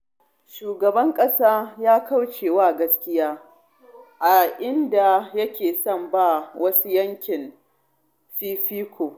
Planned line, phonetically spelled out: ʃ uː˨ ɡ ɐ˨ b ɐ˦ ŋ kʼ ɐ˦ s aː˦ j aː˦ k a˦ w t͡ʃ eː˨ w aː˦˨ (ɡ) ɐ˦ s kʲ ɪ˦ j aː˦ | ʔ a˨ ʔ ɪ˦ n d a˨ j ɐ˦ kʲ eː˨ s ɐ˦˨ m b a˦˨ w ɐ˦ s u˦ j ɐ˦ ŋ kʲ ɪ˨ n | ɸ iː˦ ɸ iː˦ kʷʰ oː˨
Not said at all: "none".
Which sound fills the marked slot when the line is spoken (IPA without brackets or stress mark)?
ɡ